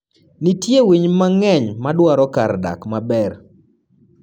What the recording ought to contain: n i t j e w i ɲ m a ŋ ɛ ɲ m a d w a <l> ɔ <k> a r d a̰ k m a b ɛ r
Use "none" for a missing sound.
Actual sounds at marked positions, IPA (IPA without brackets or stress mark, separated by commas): ɾ, k